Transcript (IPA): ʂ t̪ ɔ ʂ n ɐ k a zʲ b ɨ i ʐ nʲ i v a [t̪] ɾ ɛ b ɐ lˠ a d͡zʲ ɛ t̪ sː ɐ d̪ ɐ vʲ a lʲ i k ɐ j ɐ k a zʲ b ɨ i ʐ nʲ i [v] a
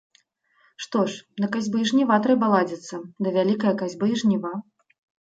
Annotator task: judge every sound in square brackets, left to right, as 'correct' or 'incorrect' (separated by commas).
correct, correct